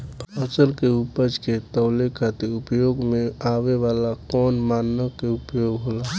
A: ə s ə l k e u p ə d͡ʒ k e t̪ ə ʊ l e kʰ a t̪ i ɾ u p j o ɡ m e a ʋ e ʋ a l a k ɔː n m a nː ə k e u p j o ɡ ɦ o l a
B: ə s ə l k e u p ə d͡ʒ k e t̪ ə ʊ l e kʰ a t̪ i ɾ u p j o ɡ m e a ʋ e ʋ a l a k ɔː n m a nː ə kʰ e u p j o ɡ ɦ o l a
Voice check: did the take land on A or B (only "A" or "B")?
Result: A